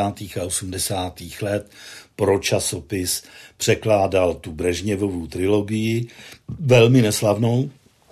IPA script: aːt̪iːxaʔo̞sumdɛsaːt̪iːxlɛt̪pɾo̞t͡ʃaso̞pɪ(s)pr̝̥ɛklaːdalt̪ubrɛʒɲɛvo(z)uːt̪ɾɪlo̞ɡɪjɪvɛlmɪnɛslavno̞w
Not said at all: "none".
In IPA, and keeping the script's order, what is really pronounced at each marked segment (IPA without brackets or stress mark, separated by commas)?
s, v